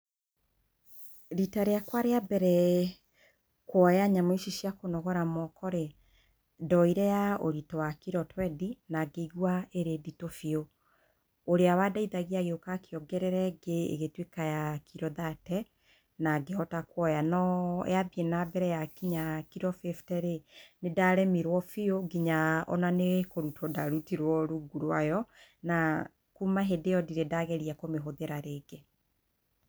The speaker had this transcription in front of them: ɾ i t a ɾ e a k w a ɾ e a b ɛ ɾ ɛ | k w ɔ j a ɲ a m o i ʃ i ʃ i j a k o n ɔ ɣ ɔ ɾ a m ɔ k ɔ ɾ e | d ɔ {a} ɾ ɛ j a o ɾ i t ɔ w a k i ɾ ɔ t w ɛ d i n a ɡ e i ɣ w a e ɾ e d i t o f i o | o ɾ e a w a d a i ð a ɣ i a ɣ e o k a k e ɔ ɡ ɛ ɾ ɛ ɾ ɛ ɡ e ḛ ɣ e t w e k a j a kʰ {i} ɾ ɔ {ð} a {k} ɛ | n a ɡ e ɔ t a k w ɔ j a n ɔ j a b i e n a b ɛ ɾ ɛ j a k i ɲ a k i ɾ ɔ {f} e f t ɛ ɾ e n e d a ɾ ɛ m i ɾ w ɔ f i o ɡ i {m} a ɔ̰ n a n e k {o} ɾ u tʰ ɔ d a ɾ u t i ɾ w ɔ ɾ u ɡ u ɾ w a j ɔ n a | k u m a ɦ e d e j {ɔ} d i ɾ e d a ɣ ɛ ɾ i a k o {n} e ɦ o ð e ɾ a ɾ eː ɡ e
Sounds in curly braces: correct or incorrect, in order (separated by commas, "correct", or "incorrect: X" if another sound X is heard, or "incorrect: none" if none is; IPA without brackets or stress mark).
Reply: incorrect: i, correct, correct, incorrect: t, correct, incorrect: ɲ, correct, correct, incorrect: m